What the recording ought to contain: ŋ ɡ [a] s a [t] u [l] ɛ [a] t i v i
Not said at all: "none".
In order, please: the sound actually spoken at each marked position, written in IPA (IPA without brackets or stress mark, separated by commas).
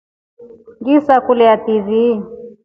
i, k, l, a